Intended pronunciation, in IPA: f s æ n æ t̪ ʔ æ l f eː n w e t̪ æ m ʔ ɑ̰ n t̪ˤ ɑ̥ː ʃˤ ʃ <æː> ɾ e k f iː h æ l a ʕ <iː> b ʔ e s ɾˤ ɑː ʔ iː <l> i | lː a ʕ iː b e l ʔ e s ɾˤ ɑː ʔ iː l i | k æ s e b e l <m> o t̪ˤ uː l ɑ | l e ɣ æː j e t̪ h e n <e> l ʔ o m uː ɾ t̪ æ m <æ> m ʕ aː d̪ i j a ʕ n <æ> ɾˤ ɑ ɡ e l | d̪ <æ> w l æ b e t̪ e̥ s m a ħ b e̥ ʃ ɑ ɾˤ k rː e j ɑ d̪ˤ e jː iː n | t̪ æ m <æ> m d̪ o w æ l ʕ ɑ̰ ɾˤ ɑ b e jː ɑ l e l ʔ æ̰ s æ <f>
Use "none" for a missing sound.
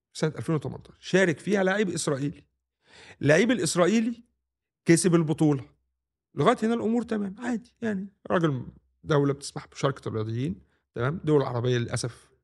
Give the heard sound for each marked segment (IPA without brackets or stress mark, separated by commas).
æː, iː, l, b, æ, æː, i, æ, æː, f